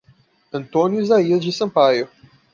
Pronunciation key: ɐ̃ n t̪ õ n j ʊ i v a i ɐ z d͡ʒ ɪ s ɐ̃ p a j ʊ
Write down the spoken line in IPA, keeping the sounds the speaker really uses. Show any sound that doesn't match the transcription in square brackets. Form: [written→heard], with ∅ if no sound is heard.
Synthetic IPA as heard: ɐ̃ n t̪ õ n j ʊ i [v→z] a i ɐ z d͡ʒ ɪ s ɐ̃ p a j ʊ

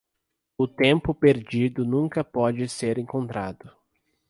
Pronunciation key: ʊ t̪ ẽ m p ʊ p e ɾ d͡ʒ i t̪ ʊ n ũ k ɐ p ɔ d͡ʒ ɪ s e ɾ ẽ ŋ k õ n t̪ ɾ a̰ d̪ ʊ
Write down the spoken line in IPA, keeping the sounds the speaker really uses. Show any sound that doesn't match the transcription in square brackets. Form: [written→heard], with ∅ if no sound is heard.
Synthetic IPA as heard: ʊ t̪ ẽ m p ʊ p e ɾ d͡ʒ i [t̪→d̪] ʊ n ũ k ɐ p ɔ d͡ʒ ɪ s e ɾ ẽ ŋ k õ n t̪ ɾ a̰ d̪ ʊ

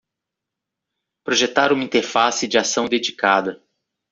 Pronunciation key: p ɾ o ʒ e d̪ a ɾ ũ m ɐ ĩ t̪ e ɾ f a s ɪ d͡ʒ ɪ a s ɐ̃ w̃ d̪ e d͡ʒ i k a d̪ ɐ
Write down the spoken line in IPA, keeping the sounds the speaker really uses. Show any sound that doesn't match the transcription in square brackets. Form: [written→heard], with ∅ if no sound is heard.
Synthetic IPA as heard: p ɾ o ʒ e [d̪→t̪] a ɾ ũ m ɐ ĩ t̪ e ɾ f a s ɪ d͡ʒ ɪ a s ɐ̃ w̃ d̪ e d͡ʒ i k a d̪ ɐ

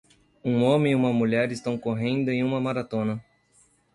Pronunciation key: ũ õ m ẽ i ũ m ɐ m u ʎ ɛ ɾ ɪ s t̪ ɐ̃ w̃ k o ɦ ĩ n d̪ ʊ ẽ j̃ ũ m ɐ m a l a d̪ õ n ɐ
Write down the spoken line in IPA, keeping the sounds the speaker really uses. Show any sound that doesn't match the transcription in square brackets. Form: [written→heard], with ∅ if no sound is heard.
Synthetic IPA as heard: ũ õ m ẽ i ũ m ɐ m u ʎ ɛ ɾ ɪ s t̪ ɐ̃ w̃ k o ɦ [ĩ→ẽ] n d̪ ʊ ẽ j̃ ũ m ɐ m a [l→ɾ] a [d̪→t̪] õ n ɐ

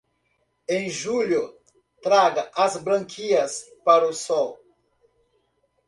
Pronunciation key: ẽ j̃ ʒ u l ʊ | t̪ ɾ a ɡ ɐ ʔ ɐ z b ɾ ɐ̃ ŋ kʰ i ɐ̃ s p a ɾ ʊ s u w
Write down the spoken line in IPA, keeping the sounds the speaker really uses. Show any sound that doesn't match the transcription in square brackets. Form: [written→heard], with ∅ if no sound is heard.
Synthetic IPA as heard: ẽ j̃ ʒ u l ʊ | t̪ ɾ a ɡ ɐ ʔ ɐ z b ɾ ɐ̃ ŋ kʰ i [ɐ̃→ɐ] s p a ɾ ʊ s [u→ɔ] w

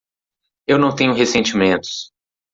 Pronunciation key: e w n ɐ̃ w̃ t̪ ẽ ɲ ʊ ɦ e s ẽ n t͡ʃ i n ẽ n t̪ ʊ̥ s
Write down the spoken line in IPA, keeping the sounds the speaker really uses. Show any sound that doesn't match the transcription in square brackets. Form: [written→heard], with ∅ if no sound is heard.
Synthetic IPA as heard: e w n ɐ̃ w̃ t̪ ẽ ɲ ʊ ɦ e s ẽ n t͡ʃ i [n→m] ẽ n t̪ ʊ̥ s

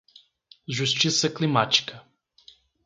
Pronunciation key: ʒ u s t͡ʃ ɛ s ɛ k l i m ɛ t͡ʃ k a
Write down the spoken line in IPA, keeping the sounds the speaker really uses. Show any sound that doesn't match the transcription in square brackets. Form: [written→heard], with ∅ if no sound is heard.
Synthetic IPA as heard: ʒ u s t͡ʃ [ɛ→i] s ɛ k l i m [ɛ→a] t͡ʃ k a

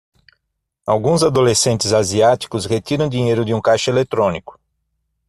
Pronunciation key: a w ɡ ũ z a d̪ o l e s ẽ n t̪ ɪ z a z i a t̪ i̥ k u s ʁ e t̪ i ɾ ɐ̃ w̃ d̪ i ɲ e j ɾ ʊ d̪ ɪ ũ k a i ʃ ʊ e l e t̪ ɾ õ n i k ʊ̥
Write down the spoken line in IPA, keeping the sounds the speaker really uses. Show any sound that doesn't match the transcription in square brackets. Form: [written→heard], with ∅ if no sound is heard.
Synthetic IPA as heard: a w ɡ ũ z a d̪ o l e s ẽ n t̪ ɪ z a z i a t̪ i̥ k [u→ʊ] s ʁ e t̪ i ɾ ɐ̃ w̃ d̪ i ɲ e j ɾ ʊ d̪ ɪ ũ k a [i→j] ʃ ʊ e l e t̪ ɾ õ n i k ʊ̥

